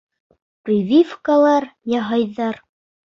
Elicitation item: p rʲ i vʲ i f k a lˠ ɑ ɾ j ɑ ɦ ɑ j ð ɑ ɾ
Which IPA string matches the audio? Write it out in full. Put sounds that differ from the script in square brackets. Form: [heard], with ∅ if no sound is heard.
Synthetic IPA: p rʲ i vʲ i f k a lˠ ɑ ɾ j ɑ ɦ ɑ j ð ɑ ɾ

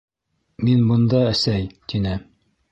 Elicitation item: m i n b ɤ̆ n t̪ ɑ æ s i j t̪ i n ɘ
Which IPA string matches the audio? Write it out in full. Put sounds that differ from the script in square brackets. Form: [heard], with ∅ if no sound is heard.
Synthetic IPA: m i n b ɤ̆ n [d̪] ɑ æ s [æ] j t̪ i n ɘ

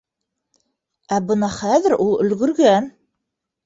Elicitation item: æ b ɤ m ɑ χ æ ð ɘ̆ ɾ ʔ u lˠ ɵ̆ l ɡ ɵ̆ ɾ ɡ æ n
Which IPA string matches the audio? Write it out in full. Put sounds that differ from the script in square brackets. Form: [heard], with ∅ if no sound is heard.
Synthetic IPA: æ b ɤ [n] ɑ χ æ ð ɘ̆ ɾ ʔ u lˠ ɵ̆ l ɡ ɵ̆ ɾ ɡ æ n

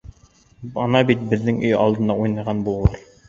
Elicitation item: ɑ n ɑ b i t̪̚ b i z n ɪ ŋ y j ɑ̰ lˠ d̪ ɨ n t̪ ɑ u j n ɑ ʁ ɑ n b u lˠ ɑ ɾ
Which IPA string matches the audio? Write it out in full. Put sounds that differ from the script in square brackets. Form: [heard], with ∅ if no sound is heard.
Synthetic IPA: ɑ n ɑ b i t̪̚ b [ɪ] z n ɪ ŋ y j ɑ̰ lˠ d̪ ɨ n [d̪] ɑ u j n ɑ ʁ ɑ n b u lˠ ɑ ɾ

